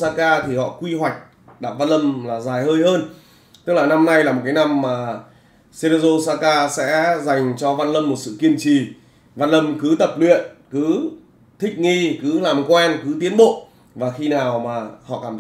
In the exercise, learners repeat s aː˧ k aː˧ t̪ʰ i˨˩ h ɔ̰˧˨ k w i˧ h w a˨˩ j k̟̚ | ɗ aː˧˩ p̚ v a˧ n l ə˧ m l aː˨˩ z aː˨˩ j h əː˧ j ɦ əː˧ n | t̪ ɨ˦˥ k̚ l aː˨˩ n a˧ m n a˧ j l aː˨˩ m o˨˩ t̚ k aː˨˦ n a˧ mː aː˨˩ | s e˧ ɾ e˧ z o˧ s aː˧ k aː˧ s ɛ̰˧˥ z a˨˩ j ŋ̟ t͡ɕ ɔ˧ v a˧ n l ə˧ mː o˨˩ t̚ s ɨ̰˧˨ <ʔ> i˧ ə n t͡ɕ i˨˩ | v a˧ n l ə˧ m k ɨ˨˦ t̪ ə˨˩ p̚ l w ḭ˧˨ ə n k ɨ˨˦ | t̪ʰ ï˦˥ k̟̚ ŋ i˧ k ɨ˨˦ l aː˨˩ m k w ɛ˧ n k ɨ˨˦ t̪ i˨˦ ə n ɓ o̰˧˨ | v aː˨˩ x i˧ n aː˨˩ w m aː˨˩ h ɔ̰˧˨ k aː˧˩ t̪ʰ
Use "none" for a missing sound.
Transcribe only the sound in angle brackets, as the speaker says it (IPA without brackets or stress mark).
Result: k